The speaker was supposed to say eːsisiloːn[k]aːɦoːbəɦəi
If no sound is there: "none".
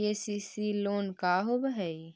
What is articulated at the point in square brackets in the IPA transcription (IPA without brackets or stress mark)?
k